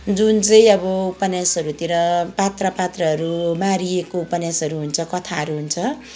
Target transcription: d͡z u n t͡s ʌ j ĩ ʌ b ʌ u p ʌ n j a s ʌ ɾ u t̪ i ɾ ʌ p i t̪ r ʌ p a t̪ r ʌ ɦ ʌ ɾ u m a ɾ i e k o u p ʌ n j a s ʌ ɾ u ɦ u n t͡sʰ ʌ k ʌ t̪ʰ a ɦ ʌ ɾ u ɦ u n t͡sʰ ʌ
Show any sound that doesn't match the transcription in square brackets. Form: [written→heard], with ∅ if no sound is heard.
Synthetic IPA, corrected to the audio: d͡z u n t͡s ʌ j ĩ ʌ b ʌ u p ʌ n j a s ʌ ɾ u t̪ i ɾ ʌ p [i→a] t̪ r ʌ p a t̪ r ʌ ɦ ʌ ɾ u m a ɾ i e k o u p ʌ n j a s ʌ ɾ u ɦ u n t͡sʰ ʌ k ʌ t̪ʰ a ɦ ʌ ɾ u ɦ u n t͡sʰ ʌ

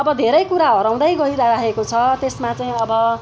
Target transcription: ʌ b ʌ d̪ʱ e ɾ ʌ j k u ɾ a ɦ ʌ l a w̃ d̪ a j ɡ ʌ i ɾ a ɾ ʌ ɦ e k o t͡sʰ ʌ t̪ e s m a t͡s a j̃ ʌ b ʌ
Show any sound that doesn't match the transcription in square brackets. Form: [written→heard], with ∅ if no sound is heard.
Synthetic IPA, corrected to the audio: ʌ b ʌ d̪ʱ e ɾ ʌ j k u ɾ a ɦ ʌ [l→ɾ] a w̃ d̪ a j ɡ ʌ i ɾ a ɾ [ʌ→a] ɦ e k o t͡sʰ ʌ t̪ e s m a t͡s a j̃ ʌ b ʌ

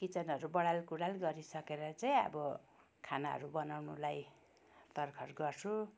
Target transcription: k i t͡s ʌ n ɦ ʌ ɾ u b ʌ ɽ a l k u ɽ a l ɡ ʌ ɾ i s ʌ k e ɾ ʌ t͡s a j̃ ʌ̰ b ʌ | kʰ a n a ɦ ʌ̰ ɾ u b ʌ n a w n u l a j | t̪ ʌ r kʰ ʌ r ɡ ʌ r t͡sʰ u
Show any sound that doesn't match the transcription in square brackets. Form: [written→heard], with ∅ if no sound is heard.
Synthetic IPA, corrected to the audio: k i t͡s ʌ n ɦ ʌ ɾ u b ʌ ɽ a l k u ɽ a l ɡ ʌ ɾ i s ʌ k e ɾ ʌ t͡s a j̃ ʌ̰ b ʌ | kʰ a n a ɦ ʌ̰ ɾ u b ʌ n a w n u l a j | t̪ ʌ r kʰ ʌ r ɡ ʌ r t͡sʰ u

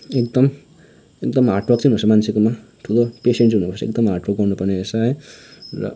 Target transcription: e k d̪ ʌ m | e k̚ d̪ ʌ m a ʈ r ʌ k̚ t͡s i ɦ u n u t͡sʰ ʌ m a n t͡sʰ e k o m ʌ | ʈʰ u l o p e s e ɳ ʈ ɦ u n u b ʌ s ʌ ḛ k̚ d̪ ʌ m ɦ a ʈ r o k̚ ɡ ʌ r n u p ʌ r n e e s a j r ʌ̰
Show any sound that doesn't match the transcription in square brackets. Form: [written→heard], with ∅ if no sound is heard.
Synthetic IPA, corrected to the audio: e k d̪ ʌ m | e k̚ d̪ ʌ m a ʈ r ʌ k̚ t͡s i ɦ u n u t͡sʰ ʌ m a n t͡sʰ e k o m [ʌ→a] | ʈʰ u l o p e s e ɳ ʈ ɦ u n u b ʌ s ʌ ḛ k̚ d̪ ʌ m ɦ a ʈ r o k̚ ɡ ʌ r n u p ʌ r n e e s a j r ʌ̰

